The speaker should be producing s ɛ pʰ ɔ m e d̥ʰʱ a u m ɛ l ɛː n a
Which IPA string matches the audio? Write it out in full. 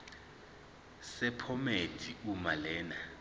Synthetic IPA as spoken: s ɛ pʰ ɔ m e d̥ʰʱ i u m a l ɛː n a